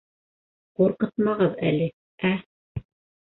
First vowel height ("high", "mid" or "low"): high